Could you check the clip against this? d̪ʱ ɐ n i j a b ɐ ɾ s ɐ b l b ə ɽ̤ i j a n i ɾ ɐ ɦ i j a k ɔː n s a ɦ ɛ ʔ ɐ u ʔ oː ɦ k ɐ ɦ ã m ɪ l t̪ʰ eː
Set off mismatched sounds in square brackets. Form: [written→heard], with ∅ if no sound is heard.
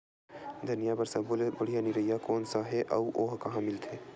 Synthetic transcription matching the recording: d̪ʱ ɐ n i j a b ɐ ɾ s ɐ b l b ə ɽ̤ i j a n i ɾ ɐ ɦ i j a k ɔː n s a ɦ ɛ ʔ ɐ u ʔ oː ɦ k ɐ ɦ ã m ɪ l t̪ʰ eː